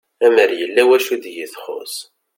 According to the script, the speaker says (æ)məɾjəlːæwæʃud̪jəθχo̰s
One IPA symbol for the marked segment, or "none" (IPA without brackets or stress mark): æ